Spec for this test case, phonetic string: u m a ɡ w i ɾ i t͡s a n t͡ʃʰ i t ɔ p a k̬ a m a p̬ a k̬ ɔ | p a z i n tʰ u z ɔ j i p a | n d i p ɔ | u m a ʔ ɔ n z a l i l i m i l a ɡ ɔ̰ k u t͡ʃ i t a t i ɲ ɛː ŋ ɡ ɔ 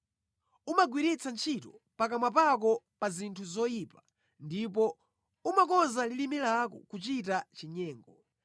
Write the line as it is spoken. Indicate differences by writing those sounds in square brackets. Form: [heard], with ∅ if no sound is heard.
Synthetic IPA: u m a ɡ w i ɾ i t͡s a n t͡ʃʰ i t ɔ p a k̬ a m a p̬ a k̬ ɔ | p a z i n tʰ u z ɔ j i p a | n d i p ɔ | u m a [k] ɔ n z a l i l i m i l a [k] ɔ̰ k u t͡ʃ i t a [t͡ʃ] i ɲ ɛː ŋ ɡ ɔ